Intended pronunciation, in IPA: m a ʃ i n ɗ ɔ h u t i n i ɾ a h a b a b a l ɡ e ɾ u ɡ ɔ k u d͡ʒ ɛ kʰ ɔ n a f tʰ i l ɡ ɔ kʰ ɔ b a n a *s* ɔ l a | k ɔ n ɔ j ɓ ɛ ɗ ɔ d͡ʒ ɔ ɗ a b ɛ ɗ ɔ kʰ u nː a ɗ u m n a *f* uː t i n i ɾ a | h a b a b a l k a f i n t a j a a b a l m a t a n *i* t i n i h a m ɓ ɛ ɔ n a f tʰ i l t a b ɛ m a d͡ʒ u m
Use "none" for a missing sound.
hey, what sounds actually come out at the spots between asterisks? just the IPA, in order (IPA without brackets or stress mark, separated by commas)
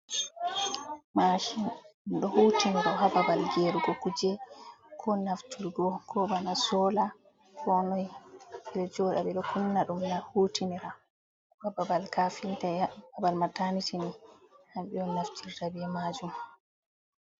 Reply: s, h, i